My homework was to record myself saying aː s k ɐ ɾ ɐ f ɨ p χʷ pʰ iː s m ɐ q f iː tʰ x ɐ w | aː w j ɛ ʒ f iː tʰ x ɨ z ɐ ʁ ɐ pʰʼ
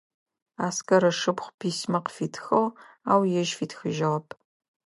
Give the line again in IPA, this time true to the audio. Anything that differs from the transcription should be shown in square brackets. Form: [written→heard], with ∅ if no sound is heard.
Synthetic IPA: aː s k ɐ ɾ ɐ [f→ʂ] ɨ p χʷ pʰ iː s m ɐ q f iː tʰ x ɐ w | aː w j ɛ ʒ f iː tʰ x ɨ [z→ʒ] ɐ ʁ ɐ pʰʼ